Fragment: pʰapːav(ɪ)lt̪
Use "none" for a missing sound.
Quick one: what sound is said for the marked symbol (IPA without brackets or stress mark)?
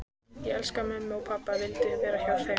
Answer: ɪ